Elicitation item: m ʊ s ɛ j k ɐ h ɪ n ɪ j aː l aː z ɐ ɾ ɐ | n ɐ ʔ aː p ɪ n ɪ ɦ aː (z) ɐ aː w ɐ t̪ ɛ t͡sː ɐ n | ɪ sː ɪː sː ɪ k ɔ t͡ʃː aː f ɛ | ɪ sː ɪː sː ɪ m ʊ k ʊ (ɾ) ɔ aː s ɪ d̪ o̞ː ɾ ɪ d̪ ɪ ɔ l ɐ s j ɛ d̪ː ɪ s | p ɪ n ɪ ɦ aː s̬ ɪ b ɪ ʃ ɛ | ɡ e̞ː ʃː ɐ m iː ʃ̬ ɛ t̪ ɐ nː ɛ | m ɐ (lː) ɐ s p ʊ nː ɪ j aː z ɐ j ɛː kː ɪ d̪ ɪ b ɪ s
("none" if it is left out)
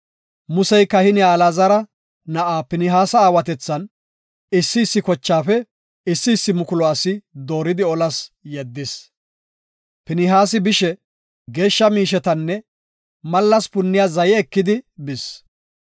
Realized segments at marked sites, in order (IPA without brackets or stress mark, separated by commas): s, l, lː